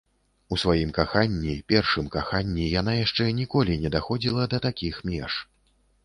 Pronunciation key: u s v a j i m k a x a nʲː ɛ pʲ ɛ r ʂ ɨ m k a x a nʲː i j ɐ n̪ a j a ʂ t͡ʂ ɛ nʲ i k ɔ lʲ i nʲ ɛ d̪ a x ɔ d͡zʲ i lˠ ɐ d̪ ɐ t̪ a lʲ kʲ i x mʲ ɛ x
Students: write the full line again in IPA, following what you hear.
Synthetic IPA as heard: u s v a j i m k a x a nʲː i pʲ ɛ r ʂ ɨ m k a x a nʲː i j a n̪ a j a ʂ t͡ʂ ɛ nʲ i k ɔ lʲ i nʲ ɛ d̪ a x ɔ d͡zʲ i lˠ ɐ d̪ ɐ t̪ a kʲ i x mʲ ɛ ʂ